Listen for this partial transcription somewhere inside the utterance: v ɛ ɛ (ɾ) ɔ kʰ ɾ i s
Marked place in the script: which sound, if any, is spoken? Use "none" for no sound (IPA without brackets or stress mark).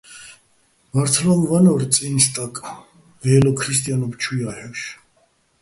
l